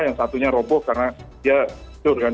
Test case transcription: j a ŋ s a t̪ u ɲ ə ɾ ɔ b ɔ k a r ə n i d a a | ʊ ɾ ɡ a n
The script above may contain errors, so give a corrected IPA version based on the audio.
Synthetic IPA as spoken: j a ŋ s a t̪ u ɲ a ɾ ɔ b ɔ k a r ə n a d i a | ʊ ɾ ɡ a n